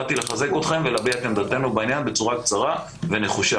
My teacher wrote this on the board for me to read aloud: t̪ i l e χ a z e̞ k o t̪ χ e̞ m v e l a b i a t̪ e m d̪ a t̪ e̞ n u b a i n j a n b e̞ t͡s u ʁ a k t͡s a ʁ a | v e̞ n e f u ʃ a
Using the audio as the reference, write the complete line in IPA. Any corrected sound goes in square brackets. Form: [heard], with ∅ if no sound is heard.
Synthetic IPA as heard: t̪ i l e χ a z e̞ k o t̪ χ e̞ m v e l a b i a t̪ e m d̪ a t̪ e̞ n u b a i n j a n b e̞ t͡s u ʁ a k t͡s a ʁ a | v e̞ n e [χ] u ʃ a